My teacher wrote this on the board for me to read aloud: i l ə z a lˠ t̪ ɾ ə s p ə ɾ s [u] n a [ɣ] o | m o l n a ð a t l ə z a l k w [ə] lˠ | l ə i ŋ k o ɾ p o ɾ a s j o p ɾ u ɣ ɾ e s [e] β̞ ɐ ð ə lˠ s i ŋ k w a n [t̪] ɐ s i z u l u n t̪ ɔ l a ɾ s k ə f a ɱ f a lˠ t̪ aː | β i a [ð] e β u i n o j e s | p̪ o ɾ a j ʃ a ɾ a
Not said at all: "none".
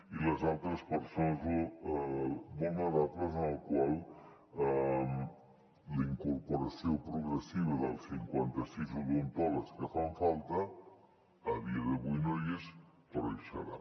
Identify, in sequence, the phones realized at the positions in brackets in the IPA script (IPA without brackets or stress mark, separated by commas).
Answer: o, z, a, i, t̪, ð